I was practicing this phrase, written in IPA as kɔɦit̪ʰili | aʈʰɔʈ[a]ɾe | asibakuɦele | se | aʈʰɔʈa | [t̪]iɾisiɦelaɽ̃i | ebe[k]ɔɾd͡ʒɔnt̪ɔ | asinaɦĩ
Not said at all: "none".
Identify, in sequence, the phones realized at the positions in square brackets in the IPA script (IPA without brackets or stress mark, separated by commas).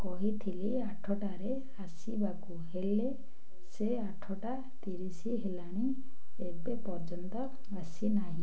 a, t̪, p